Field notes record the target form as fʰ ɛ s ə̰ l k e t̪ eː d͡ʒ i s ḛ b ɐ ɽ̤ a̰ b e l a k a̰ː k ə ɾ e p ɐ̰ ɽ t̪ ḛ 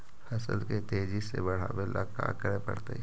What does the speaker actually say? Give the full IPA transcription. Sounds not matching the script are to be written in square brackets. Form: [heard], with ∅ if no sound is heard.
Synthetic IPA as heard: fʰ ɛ s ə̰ l k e t̪ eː d͡ʒ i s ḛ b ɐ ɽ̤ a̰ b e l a k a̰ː k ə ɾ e p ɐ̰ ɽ t̪ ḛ